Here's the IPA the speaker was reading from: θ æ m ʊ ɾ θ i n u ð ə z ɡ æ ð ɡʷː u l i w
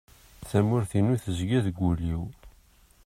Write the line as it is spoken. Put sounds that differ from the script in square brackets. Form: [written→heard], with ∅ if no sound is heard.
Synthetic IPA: θ æ m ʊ ɾ θ i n u [ð→θ] ə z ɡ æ ð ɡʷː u l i w